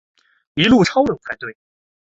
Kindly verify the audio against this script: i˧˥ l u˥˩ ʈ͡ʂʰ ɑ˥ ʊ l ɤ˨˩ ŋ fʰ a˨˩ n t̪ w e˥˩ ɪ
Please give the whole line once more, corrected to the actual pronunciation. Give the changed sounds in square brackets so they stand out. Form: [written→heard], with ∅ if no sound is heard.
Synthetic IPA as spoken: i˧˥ l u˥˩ ʈ͡ʂʰ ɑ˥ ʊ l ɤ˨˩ ŋ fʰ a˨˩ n t̪ w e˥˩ ɪ